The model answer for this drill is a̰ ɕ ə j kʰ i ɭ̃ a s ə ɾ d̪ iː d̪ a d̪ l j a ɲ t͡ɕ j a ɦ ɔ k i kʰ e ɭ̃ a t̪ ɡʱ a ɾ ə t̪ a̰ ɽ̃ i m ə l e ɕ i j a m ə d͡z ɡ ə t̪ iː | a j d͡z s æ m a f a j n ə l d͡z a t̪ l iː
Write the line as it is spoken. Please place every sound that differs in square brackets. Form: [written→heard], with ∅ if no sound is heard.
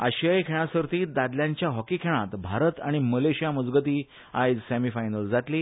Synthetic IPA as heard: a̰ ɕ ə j kʰ [i→e] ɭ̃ a s ə ɾ [d̪→t̪] iː d̪ a d̪ l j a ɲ t͡ɕ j a ɦ ɔ k i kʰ e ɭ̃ a t̪ [ɡʱ→bʱ] a ɾ ə t̪ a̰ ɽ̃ i m ə l e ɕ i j a m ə d͡z ɡ ə t̪ iː | a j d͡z s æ m [a→i] f a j n ə l d͡z a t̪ l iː

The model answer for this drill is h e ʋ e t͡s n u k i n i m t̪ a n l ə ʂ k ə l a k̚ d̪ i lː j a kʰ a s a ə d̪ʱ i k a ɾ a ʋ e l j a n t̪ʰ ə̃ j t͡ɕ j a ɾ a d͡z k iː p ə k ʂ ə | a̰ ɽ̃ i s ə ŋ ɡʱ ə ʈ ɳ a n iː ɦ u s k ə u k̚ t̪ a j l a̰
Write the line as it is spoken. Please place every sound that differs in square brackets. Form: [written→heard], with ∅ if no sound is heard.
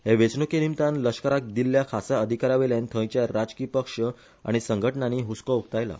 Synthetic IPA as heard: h e ʋ e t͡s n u k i n i m t̪ a n l ə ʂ k ə [l→ɾ] a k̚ d̪ i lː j a kʰ a s a ə d̪ʱ i k a ɾ a ʋ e l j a n t̪ʰ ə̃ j t͡ɕ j a ɾ a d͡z k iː p ə k ʂ ə | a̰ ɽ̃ i s ə ŋ ɡʱ ə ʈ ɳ a n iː ɦ u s k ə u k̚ t̪ a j l a̰

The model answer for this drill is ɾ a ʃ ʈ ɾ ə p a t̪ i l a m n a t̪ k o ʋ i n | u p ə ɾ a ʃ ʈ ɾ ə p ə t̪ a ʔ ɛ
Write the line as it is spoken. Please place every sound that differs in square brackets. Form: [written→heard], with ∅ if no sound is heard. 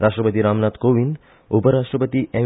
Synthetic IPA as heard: ɾ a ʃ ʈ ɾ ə p [a→ə] t̪ i [l→ɾ] a m n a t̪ k o ʋ i n | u p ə ɾ a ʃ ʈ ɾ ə p ə t̪ [a→i] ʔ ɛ

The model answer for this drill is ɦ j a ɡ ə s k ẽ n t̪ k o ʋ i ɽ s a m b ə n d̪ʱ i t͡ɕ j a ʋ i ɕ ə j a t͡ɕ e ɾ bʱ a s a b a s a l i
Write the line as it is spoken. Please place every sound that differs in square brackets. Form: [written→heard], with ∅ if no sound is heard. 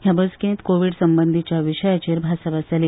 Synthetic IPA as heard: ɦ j a [ɡ→b] ə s k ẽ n t̪ k o ʋ i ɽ s [a→ə] m b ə n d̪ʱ i t͡ɕ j a ʋ i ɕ ə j a t͡ɕ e ɾ bʱ a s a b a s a l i

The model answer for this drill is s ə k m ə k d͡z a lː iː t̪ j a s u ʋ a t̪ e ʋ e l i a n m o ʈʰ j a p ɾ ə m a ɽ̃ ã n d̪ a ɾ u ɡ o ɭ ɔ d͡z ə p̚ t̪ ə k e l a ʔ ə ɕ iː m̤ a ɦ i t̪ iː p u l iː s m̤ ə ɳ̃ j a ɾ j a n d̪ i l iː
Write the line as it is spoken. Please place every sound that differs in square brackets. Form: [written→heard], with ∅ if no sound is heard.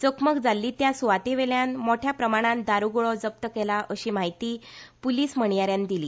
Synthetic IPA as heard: [s→t͡s] ə k m ə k d͡z a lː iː t̪ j a s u ʋ a t̪ e ʋ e l [i→j] a n m o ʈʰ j a p ɾ ə m a ɽ̃ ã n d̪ a ɾ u ɡ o ɭ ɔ d͡z ə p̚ t̪ ə k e l a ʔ ə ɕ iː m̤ a ɦ i t̪ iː p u l iː s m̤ ə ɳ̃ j a ɾ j a n d̪ i l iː

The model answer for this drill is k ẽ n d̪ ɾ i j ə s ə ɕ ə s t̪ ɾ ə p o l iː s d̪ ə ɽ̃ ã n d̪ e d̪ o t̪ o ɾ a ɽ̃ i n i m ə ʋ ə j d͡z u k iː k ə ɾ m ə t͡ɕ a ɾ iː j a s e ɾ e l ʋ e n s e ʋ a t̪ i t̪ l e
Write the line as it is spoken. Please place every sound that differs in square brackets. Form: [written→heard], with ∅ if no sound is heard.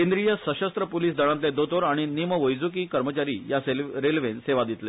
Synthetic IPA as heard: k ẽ n d̪ ɾ i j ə s ə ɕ ə s t̪ ɾ ə p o l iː s d̪ ə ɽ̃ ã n [d̪→t̪] e d̪ o t̪ o ɾ a ɽ̃ i n i m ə ʋ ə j d͡z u k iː k ə ɾ m ə t͡ɕ a ɾ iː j a s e ɾ e l ʋ e n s e ʋ a [t̪→d̪] i t̪ l e

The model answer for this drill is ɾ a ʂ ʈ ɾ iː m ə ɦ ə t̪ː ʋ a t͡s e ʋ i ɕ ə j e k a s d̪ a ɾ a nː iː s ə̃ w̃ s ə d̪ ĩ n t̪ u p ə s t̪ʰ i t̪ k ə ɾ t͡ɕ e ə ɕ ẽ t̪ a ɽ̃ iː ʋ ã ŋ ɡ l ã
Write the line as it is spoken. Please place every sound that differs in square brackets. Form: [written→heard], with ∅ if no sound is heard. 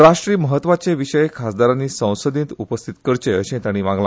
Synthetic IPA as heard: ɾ a ʂ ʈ ɾ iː m ə ɦ ə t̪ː ʋ a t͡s e ʋ i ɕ ə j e [k→kʰ] a s d̪ a ɾ a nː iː s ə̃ w̃ s ə d̪ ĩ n t̪ u p ə s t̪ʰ i t̪ k ə ɾ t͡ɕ e ə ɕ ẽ t̪ a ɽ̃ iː ʋ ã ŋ ɡ l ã

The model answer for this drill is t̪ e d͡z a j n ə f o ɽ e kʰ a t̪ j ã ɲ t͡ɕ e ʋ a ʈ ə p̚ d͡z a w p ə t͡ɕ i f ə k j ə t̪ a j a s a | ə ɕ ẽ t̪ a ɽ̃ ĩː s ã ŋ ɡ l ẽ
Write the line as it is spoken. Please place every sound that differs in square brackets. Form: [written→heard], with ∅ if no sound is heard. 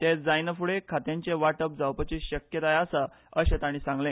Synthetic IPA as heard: t̪ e d͡z a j n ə f [o→u] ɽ e kʰ a t̪ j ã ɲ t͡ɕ e ʋ a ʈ ə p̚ d͡z a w p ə t͡ɕ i [f→ɕ] ə k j ə t̪ a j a s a | ə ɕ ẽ t̪ a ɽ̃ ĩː s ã ŋ ɡ l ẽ

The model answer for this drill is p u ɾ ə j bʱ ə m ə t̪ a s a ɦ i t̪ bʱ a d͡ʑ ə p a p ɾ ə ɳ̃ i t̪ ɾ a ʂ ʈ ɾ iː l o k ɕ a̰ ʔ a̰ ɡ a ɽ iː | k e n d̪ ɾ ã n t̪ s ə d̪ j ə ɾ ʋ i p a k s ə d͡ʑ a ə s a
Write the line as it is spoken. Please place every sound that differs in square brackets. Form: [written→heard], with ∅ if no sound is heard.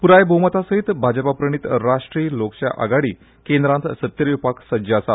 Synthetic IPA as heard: p u ɾ [ə→a] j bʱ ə m ə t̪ a s [a→ə] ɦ i t̪ bʱ a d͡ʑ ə p a p ɾ ə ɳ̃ i t̪ ɾ a ʂ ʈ ɾ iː l o k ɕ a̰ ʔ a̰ ɡ a ɽ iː | k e n d̪ ɾ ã n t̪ s ə [d̪→t̪] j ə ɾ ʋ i p a k s ə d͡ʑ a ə s a

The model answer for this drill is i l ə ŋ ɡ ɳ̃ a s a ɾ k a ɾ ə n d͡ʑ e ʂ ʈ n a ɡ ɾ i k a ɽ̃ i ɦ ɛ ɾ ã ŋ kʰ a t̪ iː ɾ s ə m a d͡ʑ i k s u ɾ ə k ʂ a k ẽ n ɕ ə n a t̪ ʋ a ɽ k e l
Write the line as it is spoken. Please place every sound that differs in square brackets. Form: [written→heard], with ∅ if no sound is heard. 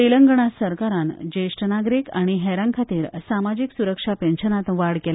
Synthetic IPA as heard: i l ə ŋ ɡ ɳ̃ a s [a→ə] ɾ k a ɾ [ə→a] n d͡ʑ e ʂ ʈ n a ɡ ɾ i k a ɽ̃ i ɦ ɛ ɾ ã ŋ kʰ a t̪ iː ɾ s [ə→a] m a d͡ʑ i k s u ɾ ə k ʂ a [k→p] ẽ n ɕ ə n a t̪ ʋ a ɽ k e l

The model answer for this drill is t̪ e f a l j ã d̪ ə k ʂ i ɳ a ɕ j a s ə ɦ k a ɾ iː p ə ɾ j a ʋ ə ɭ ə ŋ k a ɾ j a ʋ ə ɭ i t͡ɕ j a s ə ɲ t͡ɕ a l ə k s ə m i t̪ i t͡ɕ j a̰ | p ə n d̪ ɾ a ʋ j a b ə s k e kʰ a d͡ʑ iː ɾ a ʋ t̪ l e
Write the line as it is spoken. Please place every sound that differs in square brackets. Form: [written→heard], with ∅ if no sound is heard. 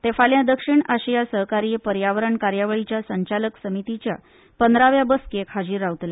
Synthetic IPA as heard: t̪ e f a l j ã d̪ ə k ʂ i ɳ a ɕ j a s ə ɦ k a ɾ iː p ə ɾ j a ʋ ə [ɭ→ɾ] ə [ŋ→ɳ] k a ɾ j a ʋ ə ɭ i t͡ɕ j a s ə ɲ t͡ɕ a l ə k s ə m i t̪ i t͡ɕ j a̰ | p ə n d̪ ɾ a ʋ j a b ə s k e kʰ a d͡ʑ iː ɾ a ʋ t̪ l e

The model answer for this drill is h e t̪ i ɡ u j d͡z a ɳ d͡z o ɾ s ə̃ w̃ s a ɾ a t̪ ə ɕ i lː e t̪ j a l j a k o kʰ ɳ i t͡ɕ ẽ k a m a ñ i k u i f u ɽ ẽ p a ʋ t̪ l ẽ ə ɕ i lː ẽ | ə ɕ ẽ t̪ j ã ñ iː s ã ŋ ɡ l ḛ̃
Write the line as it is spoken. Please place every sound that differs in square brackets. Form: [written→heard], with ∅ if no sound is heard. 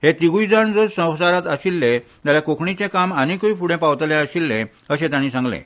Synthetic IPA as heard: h e t̪ i ɡ u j d͡z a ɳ d͡z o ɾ s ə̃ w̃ s a ɾ a t̪ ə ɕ i lː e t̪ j a l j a k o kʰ ɳ i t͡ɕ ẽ k a m a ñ i k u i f u ɽ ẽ p a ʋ t̪ l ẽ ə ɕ i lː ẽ | ə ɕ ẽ t̪ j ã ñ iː s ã ŋ ɡ l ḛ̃

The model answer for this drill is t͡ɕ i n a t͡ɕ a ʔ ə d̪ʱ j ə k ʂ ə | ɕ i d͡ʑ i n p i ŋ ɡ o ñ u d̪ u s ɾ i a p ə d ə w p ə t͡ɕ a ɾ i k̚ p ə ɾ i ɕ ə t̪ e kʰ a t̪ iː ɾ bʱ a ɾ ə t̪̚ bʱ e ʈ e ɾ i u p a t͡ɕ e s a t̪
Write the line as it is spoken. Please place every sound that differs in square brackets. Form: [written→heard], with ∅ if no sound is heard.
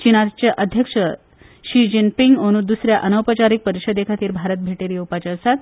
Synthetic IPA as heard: t͡ɕ i n a t͡ɕ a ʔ ə d̪ʱ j ə k ʂ ə | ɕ i d͡ʑ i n p i ŋ ɡ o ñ u d̪ u s ɾ [i→j] a [p→ʔ] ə [d→n] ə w p ə t͡ɕ a ɾ i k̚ p ə ɾ i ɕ ə [t̪→d̪] e kʰ a t̪ iː ɾ bʱ a ɾ ə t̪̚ bʱ e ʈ e ɾ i u p a t͡ɕ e s a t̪

